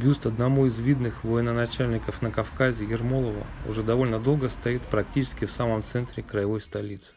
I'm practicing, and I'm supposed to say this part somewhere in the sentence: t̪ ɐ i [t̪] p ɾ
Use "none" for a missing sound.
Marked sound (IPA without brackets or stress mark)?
t̪